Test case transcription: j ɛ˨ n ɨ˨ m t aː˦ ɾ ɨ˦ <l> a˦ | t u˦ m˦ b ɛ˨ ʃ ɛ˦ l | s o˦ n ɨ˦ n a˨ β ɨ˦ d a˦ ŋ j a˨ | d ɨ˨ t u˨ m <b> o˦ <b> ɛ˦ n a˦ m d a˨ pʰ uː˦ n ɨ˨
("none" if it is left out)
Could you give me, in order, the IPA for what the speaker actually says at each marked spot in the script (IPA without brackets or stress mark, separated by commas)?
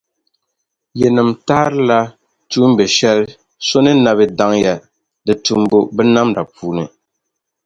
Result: l, b, b